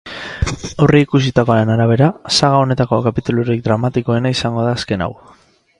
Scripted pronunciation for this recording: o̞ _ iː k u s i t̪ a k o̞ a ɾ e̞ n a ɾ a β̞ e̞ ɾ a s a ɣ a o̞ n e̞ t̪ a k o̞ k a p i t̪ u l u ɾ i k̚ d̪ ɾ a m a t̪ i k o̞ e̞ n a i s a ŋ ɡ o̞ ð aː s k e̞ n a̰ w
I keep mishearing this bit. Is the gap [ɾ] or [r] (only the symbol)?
r